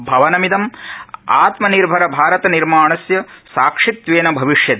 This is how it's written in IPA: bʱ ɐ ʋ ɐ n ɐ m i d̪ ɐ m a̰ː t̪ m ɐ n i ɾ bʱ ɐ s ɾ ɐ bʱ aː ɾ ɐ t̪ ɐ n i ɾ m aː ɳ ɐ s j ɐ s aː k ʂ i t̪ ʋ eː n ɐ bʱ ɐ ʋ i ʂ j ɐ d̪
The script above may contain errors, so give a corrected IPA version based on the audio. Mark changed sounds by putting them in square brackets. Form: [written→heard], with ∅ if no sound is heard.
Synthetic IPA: bʱ ɐ ʋ ɐ n ɐ m i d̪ ɐ m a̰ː t̪ m ɐ n i ɾ bʱ ɐ [s→∅] ɾ ɐ bʱ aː ɾ ɐ t̪ ɐ n i ɾ m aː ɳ ɐ s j ɐ s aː k ʂ i t̪ ʋ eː n ɐ bʱ ɐ ʋ i ʂ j ɐ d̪

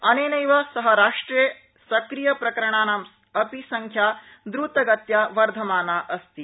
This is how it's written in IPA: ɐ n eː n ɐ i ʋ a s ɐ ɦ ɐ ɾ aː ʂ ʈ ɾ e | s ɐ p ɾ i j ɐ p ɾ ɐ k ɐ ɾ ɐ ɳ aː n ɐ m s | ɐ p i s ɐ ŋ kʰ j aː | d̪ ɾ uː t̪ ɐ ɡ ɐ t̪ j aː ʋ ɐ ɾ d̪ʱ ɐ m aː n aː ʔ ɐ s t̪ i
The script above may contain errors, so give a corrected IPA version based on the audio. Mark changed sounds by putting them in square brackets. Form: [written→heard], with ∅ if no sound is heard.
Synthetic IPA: ɐ n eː n ɐ [i→j] ʋ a s ɐ ɦ ɐ ɾ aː ʂ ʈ ɾ e | s ɐ [p→k] ɾ i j ɐ p ɾ ɐ k ɐ ɾ ɐ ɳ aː n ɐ m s | ɐ p i s ɐ ŋ kʰ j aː | d̪ ɾ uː t̪ ɐ ɡ ɐ t̪ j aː ʋ ɐ ɾ d̪ʱ ɐ m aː n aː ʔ ɐ s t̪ i

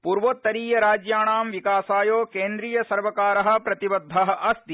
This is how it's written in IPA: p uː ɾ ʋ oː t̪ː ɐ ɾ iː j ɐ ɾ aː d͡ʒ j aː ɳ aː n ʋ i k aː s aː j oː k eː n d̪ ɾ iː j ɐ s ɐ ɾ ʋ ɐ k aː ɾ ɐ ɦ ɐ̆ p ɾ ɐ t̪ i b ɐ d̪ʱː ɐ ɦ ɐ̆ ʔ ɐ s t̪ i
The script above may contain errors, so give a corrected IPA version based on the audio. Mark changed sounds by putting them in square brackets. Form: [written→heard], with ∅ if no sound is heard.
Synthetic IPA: p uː ɾ ʋ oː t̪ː ɐ ɾ iː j ɐ ɾ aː d͡ʒ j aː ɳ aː [n→m] ʋ i k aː s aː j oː k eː n d̪ ɾ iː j ɐ s ɐ ɾ ʋ ɐ k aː ɾ ɐ ɦ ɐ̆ p ɾ ɐ t̪ i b ɐ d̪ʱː ɐ ɦ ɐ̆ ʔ ɐ s t̪ i

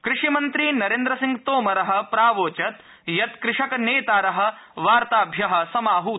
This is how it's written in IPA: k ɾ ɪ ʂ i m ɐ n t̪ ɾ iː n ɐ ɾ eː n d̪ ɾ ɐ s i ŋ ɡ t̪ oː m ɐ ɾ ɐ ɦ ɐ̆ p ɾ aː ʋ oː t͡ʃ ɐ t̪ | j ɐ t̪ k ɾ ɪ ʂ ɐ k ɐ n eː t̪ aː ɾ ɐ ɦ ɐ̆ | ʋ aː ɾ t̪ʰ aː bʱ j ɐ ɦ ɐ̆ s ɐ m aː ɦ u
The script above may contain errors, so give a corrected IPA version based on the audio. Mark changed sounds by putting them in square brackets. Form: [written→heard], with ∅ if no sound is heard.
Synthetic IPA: k ɾ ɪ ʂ i m ɐ n t̪ ɾ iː n ɐ ɾ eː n d̪ ɾ ɐ s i ŋ ɡ t̪ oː m ɐ ɾ ɐ ɦ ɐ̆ p ɾ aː ʋ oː t͡ʃ ɐ t̪ | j ɐ t̪ k ɾ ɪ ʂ ɐ k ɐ n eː t̪ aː ɾ ɐ ɦ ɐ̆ | ʋ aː ɾ [t̪ʰ→t̪] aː bʱ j ɐ ɦ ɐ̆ s ɐ m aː ɦ u

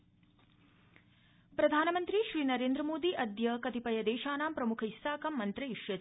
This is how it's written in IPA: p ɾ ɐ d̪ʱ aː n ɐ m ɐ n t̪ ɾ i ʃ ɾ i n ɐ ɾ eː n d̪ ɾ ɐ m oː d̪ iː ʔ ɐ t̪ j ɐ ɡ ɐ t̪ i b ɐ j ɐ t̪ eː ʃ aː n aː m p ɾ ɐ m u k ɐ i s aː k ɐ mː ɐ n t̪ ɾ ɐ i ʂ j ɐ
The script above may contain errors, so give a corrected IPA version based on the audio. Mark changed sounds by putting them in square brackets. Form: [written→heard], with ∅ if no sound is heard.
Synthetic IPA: p ɾ ɐ d̪ʱ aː n ɐ m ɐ n t̪ ɾ i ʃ ɾ [i→iː] n ɐ ɾ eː n d̪ ɾ ɐ m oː d̪ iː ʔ ɐ [t̪→d̪] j ɐ [ɡ→k] ɐ t̪ i [b→p] ɐ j ɐ [t̪→d̪] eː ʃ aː n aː m p ɾ ɐ m u [k→kʰ] ɐ i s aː k ɐ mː ɐ n t̪ ɾ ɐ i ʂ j ɐ

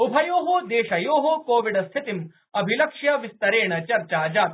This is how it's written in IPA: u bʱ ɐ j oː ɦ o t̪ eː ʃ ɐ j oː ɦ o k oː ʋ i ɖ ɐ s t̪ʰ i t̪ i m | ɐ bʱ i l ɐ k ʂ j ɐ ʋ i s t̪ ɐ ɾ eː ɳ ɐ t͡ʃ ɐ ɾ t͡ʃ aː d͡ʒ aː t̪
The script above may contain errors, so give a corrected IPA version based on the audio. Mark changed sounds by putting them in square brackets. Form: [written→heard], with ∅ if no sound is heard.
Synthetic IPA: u bʱ ɐ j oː ɦ o [t̪→d̪] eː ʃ ɐ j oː ɦ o k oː ʋ i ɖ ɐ s t̪ʰ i t̪ i m | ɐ bʱ i l ɐ k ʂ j ɐ ʋ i s t̪ ɐ ɾ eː ɳ ɐ t͡ʃ ɐ ɾ t͡ʃ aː d͡ʒ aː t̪

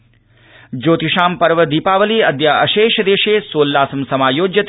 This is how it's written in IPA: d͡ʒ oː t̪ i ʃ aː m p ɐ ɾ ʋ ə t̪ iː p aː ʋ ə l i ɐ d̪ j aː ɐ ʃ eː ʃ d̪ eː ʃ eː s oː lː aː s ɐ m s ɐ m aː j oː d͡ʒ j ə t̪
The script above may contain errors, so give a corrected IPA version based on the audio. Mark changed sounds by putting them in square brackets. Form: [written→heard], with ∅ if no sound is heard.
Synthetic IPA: d͡ʒ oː t̪ i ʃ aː m p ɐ ɾ ʋ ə [t̪→d̪] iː p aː ʋ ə l i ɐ d̪ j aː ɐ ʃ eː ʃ d̪ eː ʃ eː s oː lː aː s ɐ m s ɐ m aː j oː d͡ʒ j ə t̪

